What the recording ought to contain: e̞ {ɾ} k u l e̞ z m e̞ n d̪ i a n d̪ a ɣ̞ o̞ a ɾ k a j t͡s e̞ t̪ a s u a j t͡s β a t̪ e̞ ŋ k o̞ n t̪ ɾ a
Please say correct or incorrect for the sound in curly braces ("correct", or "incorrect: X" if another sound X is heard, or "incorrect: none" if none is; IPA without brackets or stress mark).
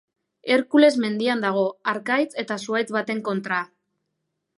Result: correct